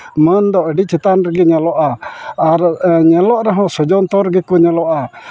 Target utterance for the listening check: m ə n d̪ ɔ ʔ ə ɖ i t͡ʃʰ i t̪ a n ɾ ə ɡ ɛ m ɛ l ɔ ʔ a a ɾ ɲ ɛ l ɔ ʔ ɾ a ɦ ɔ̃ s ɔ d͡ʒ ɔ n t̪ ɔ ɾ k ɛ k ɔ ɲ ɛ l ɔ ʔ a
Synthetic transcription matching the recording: m ə n d̪ ɔ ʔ ə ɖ i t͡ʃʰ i t̪ a n ɾ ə ɡ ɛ ɲ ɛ l ɔ ʔ a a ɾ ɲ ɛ l ɔ ʔ ɾ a ɦ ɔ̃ s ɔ d͡ʒ ɔ n t̪ ɔ ɾ ɡ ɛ k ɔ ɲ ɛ l ɔ ʔ a